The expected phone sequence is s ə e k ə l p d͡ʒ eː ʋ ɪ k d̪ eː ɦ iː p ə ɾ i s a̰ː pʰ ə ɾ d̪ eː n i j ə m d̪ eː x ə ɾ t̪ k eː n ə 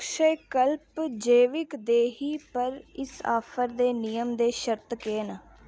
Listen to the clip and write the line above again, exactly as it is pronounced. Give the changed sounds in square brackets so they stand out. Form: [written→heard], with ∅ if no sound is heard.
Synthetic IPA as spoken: [s→ʃ] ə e k ə l p d͡ʒ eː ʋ ɪ k d̪ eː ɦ iː p ə ɾ [i→ɪ] s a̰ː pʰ ə ɾ d̪ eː n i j ə m d̪ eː [x→ʃ] ə ɾ t̪ k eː n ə